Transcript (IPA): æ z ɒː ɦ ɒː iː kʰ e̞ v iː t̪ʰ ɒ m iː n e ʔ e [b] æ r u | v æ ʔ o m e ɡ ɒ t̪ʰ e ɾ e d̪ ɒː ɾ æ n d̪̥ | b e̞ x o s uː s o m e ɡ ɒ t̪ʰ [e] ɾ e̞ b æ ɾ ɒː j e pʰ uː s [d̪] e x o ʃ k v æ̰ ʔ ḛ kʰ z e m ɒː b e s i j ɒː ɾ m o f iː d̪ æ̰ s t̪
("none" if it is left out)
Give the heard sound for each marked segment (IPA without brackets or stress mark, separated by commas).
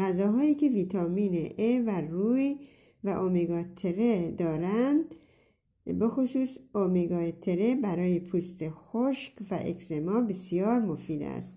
v, e, t̪